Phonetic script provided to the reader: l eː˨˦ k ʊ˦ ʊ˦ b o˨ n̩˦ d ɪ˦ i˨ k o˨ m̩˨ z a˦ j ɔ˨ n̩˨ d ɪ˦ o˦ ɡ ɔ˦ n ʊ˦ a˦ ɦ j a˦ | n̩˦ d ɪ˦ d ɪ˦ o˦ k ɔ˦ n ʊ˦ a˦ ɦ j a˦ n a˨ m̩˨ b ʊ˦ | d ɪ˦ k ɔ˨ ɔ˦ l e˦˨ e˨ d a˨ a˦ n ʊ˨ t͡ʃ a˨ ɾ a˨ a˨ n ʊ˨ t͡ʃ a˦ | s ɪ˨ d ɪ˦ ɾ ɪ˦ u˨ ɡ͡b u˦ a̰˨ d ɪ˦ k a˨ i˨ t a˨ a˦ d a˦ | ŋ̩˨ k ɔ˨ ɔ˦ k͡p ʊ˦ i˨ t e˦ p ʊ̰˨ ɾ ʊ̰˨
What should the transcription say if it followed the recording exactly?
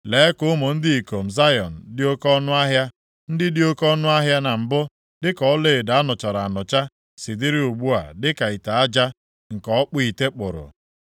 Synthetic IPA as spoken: l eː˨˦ k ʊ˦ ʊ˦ m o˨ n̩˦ d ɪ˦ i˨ k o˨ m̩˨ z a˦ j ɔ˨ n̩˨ d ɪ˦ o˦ k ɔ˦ n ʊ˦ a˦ ɦ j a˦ | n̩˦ d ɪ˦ d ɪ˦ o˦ k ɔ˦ n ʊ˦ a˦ ɦ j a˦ n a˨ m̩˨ b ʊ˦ | d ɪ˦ k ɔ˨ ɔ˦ l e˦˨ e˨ d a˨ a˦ n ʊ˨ t͡ʃ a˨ ɾ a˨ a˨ n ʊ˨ t͡ʃ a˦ | s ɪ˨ d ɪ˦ ɾ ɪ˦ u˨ ɡ͡b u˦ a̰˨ d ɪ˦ k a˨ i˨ t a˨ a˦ d͡ʒ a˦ | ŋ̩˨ k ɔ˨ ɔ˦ k͡p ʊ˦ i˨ t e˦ k͡p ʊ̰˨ ɾ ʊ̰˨

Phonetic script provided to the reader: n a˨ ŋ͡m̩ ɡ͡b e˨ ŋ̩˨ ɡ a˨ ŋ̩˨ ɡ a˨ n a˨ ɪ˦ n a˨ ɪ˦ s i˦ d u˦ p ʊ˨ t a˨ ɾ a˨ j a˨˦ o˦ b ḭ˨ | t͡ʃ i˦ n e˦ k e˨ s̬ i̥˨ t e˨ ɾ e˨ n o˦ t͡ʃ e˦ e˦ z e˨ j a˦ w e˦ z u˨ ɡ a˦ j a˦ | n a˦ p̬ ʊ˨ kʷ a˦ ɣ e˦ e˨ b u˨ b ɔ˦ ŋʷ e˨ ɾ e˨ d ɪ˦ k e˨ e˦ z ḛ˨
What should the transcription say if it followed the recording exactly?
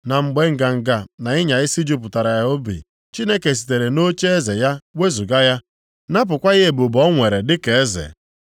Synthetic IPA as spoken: n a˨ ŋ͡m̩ ɡ͡b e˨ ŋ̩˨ ɡ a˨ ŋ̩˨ ɡ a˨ n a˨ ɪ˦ ɲ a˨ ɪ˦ s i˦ d͡ʒ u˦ p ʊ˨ t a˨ ɾ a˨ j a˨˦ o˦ b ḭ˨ | t͡ʃ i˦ n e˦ k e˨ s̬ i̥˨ t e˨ ɾ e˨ n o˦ t͡ʃ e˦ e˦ z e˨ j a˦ w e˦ z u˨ ɡ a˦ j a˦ | n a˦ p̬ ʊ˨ kʷ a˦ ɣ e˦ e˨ b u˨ b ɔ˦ ŋʷ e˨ ɾ e˨ d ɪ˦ k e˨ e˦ z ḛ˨

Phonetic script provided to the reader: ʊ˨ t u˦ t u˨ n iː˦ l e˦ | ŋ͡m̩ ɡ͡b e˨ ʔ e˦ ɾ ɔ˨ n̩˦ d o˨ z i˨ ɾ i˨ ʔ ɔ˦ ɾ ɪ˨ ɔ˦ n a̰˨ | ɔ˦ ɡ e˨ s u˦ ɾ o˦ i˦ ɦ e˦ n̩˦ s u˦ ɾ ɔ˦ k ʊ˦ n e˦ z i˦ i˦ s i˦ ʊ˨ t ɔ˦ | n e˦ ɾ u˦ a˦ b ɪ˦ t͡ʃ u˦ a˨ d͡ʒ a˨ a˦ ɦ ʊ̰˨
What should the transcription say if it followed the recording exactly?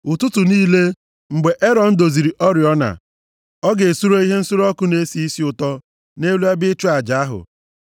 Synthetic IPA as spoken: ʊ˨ t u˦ t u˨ n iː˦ l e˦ | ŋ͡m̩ ɡ͡b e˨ ʔ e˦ ɾ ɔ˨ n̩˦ d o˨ z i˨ ɾ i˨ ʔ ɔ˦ ɾ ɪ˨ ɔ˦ n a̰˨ | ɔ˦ ɡ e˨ s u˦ ɾ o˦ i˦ ɦ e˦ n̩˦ s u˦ ɾ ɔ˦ k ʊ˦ n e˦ s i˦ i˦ s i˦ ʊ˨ t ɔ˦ | n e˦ l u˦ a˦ b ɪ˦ t͡ʃ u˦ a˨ d͡ʒ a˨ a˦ ɦ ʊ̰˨

